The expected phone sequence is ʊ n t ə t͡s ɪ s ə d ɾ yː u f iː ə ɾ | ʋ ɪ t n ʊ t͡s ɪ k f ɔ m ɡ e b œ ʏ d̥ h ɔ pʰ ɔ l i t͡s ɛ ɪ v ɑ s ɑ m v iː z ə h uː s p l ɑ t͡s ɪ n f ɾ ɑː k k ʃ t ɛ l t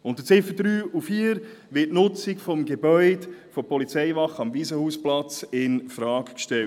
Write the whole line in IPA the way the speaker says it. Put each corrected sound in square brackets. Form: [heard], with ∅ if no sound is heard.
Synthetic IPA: ʊ n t ə t͡s ɪ [f] ə d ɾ yː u f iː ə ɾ | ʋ ɪ t n ʊ t͡s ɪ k f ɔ m ɡ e b œ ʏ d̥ [f] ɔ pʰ ɔ l i t͡s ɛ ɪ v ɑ [χ] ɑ m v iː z ə h uː s p l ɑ t͡s ɪ n f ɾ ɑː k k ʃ t ɛ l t